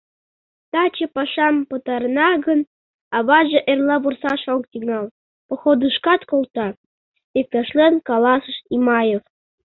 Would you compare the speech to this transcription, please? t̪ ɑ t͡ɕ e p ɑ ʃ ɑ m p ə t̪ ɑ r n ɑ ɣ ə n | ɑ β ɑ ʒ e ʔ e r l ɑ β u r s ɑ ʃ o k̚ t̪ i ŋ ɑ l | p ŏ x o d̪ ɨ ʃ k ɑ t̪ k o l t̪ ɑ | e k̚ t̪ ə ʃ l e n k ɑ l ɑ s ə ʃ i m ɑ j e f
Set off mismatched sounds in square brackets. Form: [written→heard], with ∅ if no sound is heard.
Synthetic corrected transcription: t̪ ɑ t͡ɕ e p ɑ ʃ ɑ m p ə t̪ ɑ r n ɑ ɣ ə n | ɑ β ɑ ʒ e ʔ e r l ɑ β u r s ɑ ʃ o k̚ t̪ i ŋ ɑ l | p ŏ x o d̪ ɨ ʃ k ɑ t̪ k o l t̪ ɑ | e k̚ t̪ [ə→ɑ] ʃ l e n k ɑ l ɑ s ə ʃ i m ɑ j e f